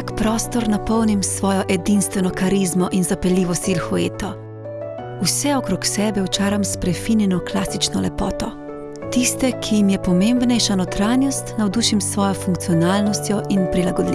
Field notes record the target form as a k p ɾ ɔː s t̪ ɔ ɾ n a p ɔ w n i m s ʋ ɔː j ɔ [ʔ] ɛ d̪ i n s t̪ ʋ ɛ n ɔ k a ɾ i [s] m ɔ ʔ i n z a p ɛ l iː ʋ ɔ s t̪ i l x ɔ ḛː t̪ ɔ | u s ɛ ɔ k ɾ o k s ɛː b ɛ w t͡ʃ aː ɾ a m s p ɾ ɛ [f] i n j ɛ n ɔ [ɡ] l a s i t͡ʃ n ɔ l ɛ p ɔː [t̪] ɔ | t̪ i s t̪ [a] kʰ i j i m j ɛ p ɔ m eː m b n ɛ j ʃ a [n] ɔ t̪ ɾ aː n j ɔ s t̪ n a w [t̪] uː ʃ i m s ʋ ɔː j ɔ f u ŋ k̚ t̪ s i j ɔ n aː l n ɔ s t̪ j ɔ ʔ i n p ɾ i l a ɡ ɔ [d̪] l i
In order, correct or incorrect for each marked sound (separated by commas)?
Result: correct, incorrect, correct, incorrect, correct, incorrect, correct, incorrect, correct